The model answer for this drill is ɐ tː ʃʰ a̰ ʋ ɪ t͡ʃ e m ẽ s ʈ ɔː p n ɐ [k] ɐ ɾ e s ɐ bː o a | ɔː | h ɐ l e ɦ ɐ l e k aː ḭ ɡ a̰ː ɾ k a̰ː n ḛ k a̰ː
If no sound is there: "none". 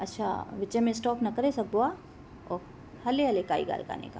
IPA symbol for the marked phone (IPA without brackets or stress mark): k